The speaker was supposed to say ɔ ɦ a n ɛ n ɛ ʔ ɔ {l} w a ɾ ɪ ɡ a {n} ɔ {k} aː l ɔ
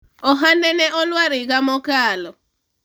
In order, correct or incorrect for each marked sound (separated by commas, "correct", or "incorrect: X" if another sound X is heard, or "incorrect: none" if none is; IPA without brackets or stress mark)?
correct, incorrect: m, correct